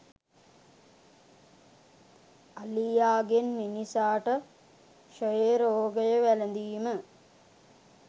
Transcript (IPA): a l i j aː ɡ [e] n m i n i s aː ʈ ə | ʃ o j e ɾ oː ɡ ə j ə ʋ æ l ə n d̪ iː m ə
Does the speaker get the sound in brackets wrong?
no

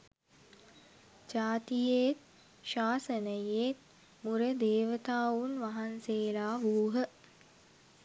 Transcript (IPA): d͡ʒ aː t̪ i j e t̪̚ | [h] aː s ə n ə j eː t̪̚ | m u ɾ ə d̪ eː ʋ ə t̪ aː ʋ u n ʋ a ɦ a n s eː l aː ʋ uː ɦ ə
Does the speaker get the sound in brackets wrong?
yes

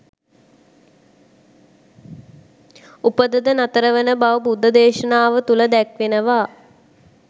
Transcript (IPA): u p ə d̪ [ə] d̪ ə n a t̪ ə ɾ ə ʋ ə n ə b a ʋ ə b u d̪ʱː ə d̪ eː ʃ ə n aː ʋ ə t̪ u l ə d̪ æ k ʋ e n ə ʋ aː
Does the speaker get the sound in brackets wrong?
no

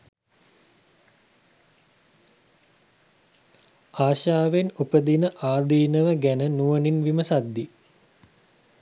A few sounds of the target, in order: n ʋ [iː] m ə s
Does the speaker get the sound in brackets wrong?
yes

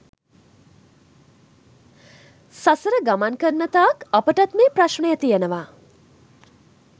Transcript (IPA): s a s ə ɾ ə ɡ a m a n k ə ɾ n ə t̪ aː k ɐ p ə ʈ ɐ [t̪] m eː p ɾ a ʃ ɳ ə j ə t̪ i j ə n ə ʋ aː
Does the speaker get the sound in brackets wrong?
no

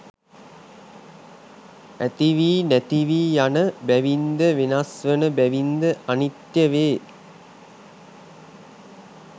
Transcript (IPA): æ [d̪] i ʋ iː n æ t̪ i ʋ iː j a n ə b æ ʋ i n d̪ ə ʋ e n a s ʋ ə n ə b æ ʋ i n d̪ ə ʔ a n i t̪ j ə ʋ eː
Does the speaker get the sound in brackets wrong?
yes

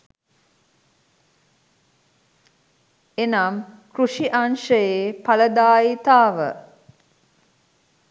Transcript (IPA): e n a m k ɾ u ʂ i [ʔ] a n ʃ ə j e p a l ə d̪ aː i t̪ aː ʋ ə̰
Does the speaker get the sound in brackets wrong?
no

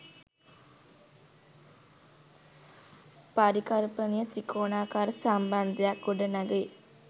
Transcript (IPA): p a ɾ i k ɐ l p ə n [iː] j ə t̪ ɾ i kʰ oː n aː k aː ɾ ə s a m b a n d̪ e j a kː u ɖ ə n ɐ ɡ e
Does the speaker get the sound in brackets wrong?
yes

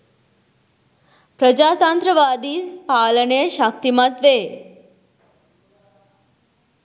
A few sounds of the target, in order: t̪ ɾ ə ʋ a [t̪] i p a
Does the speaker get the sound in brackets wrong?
yes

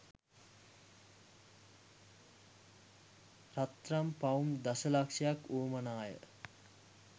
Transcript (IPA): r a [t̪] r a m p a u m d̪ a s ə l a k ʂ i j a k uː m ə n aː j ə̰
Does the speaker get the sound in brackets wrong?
no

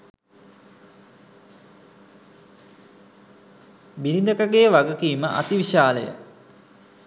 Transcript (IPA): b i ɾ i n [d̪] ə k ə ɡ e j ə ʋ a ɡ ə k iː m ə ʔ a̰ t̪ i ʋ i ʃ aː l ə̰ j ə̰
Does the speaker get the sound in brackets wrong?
no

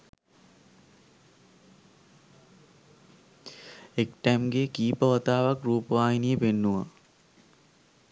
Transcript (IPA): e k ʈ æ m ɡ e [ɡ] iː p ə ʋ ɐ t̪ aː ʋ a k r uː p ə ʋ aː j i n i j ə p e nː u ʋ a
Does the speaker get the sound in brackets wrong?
yes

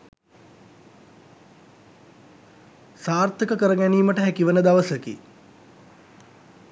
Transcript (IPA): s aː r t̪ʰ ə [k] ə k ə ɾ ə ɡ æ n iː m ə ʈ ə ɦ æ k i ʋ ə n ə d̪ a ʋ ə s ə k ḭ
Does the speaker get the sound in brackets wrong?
no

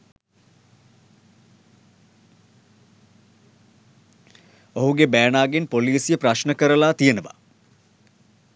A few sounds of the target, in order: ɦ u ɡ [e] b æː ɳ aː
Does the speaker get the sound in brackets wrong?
no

